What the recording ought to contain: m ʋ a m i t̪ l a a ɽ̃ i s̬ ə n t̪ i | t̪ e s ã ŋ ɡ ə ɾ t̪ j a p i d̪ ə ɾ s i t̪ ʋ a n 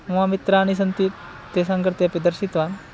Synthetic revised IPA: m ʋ a m i t̪ ɾ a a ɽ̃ i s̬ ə n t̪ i | t̪ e s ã ŋ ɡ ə ɾ t̪ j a p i d̪ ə ɾ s i t̪ ʋ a n